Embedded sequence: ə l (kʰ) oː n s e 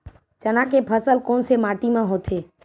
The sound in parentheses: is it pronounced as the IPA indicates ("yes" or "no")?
no